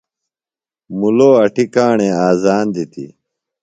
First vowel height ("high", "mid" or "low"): high